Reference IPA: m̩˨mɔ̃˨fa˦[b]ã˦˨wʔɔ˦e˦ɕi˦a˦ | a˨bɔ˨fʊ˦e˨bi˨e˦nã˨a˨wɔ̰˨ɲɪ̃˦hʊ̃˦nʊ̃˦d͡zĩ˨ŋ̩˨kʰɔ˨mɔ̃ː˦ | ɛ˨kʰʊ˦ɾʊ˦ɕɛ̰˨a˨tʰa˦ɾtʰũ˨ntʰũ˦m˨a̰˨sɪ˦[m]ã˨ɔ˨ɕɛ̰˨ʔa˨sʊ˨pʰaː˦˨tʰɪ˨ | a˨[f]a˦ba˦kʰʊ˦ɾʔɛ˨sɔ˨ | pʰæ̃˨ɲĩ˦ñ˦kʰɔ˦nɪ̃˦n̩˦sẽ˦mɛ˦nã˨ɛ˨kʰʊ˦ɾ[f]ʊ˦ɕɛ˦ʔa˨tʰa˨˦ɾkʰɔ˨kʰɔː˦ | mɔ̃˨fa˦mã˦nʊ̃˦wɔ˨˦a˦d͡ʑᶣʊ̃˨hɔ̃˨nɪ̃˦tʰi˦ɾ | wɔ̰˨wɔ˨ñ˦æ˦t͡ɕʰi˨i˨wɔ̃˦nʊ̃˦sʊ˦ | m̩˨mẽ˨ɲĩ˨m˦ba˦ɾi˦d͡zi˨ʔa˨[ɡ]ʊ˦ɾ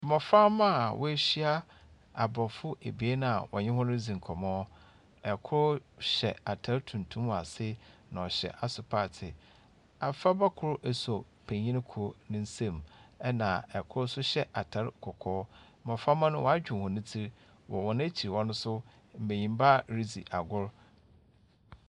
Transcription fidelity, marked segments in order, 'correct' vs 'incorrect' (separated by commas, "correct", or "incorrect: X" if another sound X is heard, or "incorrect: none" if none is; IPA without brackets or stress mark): incorrect: m, incorrect: n, correct, incorrect: s, correct